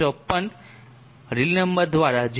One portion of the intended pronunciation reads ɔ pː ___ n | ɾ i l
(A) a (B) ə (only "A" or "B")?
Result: B